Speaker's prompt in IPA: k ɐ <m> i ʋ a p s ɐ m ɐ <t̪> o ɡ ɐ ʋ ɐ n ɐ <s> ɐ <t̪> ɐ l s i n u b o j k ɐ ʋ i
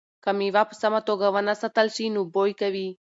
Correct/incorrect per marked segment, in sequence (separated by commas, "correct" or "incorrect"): correct, correct, correct, correct